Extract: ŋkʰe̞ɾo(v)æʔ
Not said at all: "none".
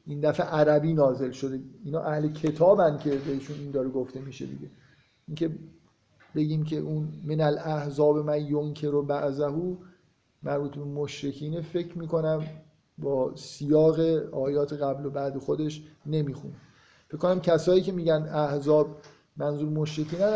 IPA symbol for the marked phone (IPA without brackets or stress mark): b